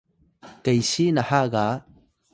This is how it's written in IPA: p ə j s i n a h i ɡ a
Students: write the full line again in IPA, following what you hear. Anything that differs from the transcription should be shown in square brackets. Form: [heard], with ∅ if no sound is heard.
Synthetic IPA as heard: [k] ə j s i n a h [a] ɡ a